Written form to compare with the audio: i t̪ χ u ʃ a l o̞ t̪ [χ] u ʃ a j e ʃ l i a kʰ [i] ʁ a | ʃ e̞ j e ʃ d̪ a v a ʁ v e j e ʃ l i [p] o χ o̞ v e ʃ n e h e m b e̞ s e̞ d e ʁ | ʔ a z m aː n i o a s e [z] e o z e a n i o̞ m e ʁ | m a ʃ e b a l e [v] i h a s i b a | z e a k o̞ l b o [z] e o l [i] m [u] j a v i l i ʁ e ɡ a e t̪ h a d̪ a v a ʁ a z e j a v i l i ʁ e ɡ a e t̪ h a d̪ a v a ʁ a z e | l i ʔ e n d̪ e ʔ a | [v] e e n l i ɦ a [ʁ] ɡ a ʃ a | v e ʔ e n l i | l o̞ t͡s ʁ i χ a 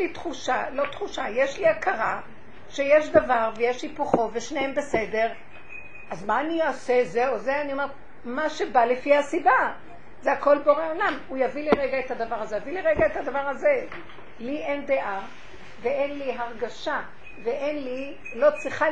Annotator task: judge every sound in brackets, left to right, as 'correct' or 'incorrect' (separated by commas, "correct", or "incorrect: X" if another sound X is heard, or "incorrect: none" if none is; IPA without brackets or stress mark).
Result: correct, incorrect: a, correct, correct, incorrect: f, incorrect: ʁ, incorrect: a, correct, correct, correct